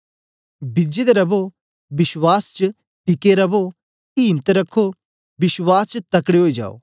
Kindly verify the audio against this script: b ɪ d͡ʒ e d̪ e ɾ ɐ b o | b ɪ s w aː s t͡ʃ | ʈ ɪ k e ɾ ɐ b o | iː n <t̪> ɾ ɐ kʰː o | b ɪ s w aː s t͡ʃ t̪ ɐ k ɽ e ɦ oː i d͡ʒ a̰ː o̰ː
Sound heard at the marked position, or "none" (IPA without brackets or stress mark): t̪